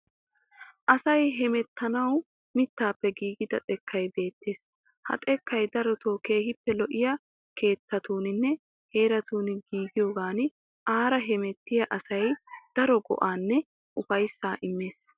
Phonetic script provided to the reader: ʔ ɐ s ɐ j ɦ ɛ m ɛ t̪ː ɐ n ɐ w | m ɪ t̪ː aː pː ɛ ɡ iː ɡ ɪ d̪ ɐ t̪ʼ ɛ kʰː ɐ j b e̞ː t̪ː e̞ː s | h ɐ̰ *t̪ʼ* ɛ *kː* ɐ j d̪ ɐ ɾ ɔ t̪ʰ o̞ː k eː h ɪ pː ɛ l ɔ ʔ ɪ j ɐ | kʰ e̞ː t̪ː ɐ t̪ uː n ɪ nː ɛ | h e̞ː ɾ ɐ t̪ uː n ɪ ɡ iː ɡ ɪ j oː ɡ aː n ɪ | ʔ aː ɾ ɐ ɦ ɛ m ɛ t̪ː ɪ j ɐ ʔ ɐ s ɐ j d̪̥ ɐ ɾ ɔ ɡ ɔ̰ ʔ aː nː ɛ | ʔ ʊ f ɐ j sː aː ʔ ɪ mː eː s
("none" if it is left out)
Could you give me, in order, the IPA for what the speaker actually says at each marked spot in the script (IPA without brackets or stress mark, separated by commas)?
t̪ʼ, kː